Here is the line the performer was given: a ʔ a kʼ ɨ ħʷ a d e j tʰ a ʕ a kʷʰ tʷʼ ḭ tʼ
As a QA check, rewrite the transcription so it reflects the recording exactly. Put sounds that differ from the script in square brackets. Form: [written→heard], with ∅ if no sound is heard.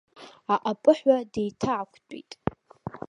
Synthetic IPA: a ʔ a [kʼ→pʼ] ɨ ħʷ a d e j tʰ a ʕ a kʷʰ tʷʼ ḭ tʼ